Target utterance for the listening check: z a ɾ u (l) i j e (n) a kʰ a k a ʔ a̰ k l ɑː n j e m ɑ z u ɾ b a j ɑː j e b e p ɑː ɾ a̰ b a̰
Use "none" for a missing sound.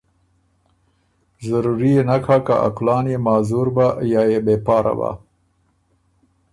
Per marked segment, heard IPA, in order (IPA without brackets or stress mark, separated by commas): ɾ, n